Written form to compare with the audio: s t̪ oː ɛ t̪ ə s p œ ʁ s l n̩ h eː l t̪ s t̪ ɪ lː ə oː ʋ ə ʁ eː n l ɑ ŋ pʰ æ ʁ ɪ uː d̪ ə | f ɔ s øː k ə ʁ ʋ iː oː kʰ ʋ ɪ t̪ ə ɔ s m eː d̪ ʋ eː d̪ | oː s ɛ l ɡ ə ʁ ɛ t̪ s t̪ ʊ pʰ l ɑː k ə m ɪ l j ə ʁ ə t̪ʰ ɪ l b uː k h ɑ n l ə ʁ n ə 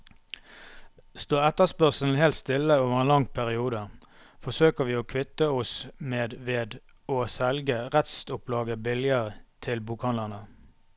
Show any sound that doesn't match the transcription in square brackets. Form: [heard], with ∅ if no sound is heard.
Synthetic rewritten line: s t̪ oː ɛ t̪ ə s p œ ʁ s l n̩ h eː l t̪ s t̪ ɪ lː ə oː ʋ ə ʁ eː n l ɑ ŋ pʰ æ ʁ ɪ uː d̪ ə | f ɔ s øː k ə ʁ ʋ iː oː kʰ ʋ ɪ t̪ ə ɔ s m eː d̪ ʋ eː d̪ | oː s ɛ l ɡ ə ʁ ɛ t̪ s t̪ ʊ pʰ l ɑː [ɡ] ə [b] ɪ l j ə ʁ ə t̪ʰ ɪ l b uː k h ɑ n l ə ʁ n ə